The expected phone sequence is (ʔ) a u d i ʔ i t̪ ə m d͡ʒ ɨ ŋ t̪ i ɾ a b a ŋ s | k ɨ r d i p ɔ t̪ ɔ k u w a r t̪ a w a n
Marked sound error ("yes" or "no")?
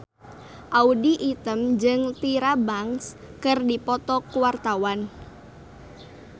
no